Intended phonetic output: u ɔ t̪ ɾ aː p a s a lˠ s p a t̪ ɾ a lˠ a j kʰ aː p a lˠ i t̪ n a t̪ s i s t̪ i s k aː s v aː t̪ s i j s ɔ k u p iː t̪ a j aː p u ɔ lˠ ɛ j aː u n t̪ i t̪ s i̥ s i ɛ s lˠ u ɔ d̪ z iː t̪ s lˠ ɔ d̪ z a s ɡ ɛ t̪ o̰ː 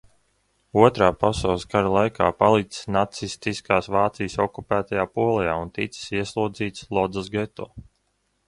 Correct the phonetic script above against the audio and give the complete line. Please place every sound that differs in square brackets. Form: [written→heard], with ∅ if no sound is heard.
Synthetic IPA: u ɔ t̪ ɾ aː p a s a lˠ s [p→k] a [t̪→∅] ɾ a lˠ a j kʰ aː p a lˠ i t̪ n a t̪ s i s t̪ i s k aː s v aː t̪ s i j s ɔ k u p [iː→æː] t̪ a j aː p u ɔ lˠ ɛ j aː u n t̪ i t̪ s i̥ s i ɛ s lˠ u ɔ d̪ z iː t̪ s lˠ ɔ d̪ z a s ɡ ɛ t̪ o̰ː